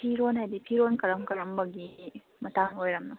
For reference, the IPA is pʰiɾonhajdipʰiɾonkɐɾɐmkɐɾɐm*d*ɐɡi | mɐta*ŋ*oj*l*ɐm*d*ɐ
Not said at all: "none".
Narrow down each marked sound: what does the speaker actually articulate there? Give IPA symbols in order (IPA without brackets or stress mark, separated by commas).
b, ŋ, ɾ, n